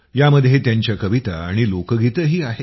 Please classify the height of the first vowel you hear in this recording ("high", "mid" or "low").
low